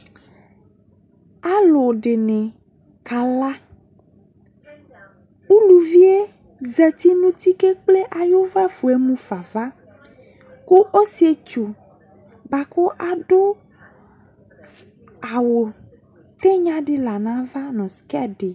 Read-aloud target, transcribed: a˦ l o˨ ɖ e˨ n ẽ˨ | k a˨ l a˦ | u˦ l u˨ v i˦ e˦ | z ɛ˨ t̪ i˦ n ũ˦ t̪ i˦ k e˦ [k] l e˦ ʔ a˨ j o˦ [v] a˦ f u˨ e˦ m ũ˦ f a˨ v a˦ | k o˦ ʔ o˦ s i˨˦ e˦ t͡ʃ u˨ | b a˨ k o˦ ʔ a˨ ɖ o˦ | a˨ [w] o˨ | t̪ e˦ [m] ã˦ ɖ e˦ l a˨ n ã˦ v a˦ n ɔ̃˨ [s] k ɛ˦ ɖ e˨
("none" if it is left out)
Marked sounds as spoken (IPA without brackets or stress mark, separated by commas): k͡p, v, w, ɲ, s